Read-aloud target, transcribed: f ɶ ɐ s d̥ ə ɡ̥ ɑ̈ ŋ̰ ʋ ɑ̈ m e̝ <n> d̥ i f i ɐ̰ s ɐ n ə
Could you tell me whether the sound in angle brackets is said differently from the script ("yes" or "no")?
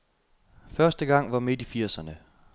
yes